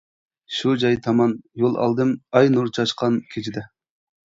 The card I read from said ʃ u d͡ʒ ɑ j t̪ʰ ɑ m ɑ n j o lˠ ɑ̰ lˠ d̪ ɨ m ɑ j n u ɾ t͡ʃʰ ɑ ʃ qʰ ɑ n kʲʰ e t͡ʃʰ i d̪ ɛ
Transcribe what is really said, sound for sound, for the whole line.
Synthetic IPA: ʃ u d͡ʒ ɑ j t̪ʰ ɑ m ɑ n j o lˠ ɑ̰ lˠ d̪ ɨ m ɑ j n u ɾ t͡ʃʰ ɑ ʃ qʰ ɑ n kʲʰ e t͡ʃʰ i d̪ ɛ